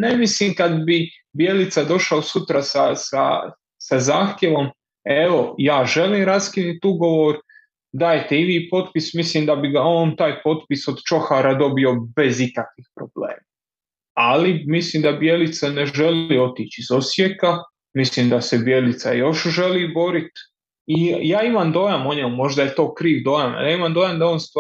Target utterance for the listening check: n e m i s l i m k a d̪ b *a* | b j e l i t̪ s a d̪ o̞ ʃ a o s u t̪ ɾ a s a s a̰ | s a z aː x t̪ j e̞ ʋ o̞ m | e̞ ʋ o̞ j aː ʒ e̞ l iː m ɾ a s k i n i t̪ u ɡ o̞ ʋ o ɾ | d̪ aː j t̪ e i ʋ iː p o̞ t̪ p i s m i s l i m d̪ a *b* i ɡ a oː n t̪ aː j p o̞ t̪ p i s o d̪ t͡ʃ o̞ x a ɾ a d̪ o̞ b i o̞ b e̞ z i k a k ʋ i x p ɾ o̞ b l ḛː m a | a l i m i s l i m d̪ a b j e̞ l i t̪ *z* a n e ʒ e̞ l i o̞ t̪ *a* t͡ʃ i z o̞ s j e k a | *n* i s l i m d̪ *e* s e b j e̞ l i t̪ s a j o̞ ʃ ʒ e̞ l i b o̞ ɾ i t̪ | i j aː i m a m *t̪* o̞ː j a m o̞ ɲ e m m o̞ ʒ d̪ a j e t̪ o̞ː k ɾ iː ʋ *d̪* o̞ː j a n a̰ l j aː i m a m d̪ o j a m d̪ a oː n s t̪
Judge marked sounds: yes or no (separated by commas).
no, yes, no, no, no, no, no, yes